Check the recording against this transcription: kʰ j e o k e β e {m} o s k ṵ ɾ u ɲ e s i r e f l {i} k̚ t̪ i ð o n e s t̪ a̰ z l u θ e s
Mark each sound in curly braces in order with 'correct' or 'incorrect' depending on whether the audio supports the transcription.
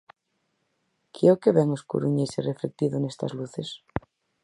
incorrect: ŋ, incorrect: e

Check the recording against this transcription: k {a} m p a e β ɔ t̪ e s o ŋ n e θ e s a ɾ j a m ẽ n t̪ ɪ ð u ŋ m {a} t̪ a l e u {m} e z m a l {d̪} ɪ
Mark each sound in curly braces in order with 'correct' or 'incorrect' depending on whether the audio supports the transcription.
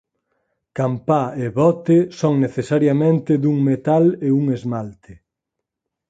correct, incorrect: e, incorrect: ŋ, incorrect: t̪

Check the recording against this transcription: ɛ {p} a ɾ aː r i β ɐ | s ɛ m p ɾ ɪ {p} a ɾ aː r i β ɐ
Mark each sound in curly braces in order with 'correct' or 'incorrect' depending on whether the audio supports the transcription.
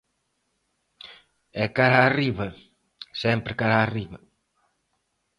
incorrect: k, incorrect: k

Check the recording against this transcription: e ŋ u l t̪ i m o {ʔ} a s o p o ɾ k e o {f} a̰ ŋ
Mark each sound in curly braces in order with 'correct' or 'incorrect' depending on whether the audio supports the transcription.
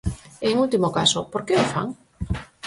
incorrect: k, correct

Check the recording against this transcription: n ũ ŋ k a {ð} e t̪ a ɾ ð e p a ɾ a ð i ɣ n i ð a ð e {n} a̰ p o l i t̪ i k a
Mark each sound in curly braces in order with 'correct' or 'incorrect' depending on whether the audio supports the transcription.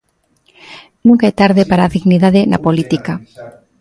incorrect: none, correct

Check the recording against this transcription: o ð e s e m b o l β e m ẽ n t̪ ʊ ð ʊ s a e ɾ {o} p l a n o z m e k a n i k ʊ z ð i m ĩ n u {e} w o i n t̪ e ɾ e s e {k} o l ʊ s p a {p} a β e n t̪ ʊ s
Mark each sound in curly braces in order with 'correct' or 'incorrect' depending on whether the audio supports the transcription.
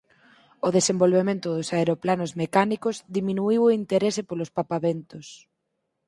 correct, incorrect: i, incorrect: p, correct

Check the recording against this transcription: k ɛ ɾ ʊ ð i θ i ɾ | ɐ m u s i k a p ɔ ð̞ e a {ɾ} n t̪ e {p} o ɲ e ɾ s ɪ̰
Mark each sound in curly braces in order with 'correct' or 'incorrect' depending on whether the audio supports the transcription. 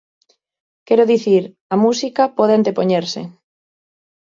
incorrect: none, correct

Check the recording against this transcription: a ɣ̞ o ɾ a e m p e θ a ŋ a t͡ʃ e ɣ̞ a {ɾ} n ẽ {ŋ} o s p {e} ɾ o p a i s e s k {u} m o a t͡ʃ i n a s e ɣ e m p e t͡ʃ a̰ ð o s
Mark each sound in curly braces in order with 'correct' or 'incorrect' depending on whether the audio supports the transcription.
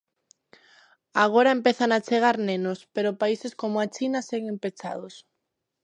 correct, incorrect: n, correct, incorrect: o

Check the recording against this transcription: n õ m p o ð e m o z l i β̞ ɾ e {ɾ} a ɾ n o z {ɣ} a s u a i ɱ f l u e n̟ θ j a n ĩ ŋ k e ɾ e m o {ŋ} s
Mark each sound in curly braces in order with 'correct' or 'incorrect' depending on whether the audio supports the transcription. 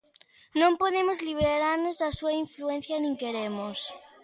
correct, incorrect: ð, incorrect: none

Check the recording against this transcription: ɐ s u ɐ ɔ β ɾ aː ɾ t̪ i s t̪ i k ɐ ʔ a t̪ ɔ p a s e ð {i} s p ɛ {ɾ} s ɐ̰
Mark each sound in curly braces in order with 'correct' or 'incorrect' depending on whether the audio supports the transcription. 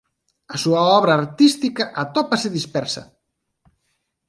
correct, correct

